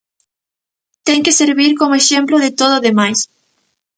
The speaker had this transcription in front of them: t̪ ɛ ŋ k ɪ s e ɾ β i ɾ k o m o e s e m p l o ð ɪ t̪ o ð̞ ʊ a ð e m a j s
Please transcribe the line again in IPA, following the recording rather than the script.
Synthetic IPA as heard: t̪ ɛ ŋ k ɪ s e ɾ β i ɾ k o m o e ʃ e m p l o ð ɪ t̪ o ð̞ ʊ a ð e m a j s